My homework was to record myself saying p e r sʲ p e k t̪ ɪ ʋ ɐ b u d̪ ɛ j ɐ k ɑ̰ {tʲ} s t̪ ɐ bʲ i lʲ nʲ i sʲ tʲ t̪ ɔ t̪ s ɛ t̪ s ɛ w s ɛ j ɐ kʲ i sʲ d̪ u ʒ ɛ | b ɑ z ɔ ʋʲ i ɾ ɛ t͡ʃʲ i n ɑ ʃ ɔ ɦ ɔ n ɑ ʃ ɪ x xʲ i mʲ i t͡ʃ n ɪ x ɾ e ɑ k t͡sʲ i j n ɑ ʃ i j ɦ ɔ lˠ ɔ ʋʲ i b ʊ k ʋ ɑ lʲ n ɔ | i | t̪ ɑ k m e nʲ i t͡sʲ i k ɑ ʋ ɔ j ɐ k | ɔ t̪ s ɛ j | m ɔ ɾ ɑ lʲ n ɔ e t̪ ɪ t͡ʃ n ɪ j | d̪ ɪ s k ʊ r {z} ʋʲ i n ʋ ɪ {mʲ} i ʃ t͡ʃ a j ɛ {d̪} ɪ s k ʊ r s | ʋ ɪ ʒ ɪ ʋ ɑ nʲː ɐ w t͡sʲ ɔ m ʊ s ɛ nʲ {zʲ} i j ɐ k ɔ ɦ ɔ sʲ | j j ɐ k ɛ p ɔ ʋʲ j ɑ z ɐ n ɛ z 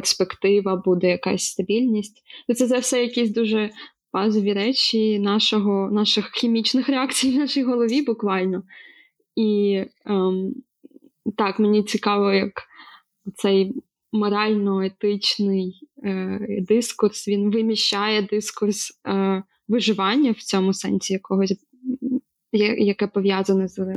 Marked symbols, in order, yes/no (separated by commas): no, no, yes, yes, no